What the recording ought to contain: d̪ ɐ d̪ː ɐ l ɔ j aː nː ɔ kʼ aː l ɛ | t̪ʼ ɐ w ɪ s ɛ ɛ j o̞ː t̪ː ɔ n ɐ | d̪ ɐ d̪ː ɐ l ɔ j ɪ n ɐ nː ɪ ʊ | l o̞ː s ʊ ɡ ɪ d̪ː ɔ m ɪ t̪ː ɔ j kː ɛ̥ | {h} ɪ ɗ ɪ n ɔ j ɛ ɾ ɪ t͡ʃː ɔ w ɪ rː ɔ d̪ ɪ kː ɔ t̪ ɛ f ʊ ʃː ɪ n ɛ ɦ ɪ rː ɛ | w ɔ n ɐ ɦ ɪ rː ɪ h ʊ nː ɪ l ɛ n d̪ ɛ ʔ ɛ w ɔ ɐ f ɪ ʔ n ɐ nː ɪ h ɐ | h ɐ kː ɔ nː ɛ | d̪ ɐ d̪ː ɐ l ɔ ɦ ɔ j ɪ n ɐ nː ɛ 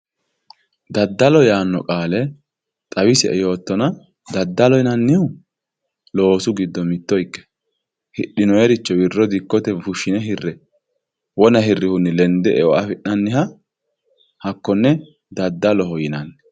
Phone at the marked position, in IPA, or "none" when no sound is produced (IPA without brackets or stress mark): h